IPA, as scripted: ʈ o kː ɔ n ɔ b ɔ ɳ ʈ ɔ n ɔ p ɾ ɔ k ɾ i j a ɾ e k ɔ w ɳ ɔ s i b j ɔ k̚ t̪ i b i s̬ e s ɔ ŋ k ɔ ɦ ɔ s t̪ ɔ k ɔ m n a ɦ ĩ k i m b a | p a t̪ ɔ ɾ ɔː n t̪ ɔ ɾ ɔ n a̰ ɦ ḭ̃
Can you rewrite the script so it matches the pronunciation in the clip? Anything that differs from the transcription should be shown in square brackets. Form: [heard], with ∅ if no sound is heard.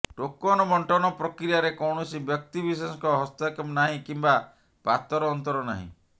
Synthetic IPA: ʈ o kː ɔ n ɔ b ɔ ɳ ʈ ɔ n ɔ p ɾ ɔ k ɾ i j a ɾ e k ɔ w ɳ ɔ s i b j ɔ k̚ t̪ i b i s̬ e s ɔ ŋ k ɔ ɦ ɔ s t̪ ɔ k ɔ m n a ɦ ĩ k i m b a | p a t̪ ɔ ɾ ɔː n t̪ ɔ ɾ ɔ n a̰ ɦ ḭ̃